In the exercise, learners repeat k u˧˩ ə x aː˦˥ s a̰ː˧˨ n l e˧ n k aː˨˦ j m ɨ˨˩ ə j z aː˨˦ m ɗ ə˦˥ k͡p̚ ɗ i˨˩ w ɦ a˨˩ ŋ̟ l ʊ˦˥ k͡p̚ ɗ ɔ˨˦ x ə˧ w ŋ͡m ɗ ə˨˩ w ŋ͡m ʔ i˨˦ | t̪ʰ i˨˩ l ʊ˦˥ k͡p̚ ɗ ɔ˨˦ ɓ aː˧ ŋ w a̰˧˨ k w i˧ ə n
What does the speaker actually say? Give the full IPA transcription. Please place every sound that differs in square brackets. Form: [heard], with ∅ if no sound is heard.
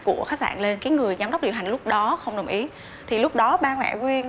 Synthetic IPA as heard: k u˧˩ ə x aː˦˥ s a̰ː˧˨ n l e˧ n k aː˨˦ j [ŋ] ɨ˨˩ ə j z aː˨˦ m ɗ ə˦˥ k͡p̚ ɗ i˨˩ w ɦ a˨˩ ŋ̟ l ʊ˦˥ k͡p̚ ɗ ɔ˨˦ x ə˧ w ŋ͡m ɗ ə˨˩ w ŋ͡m ʔ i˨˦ | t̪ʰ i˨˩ l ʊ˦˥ k͡p̚ ɗ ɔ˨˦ ɓ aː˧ ŋ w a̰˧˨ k w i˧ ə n